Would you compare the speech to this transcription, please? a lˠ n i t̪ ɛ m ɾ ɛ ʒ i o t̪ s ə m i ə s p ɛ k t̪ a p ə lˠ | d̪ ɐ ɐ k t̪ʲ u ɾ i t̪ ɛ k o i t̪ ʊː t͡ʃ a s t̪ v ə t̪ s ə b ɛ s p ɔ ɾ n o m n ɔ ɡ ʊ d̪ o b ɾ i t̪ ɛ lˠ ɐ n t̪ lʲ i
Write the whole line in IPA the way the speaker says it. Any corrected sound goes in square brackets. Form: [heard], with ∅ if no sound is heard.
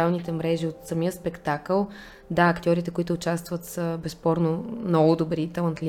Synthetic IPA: a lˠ n i t̪ ɛ m ɾ ɛ ʒ i o t̪ s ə m i ə s p ɛ k t̪ a [k] ə lˠ | d̪ [a] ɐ k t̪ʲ [ɔ] ɾ i t̪ ɛ k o i t̪ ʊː t͡ʃ a s t̪ v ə t̪ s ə b ɛ s p ɔ ɾ n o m n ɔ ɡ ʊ d̪ o b ɾ i t̪ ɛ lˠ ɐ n t̪ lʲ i